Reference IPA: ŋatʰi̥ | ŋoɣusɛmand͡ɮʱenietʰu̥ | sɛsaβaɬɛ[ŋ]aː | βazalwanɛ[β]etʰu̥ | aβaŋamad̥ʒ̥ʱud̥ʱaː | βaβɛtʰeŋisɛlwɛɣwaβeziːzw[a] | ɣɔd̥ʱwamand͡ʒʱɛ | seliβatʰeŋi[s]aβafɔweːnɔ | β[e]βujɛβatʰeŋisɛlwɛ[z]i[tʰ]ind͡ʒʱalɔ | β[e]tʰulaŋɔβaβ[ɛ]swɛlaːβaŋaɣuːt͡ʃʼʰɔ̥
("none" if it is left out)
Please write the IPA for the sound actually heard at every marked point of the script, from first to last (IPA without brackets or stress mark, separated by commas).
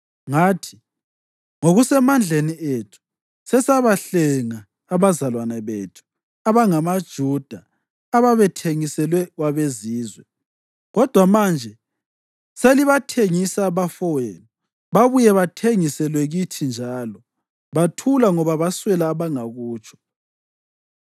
ŋ, β, ɛ, s, a, ɣ, tʰ, a, a